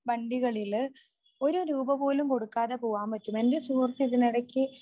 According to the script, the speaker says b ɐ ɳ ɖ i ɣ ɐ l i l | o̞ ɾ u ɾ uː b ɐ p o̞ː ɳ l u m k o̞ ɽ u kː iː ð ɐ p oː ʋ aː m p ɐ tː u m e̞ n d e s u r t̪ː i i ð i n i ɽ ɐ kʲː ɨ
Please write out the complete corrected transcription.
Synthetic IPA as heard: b ɐ ɳ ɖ i ɣ ɐ ɭ i l | o̞ ɾ u ɾ uː b ɐ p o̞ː l u m k o̞ ɽ u kː aː ð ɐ p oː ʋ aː m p ɐ tː u m e̞ n d e s uː r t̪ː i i ð i n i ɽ ɐ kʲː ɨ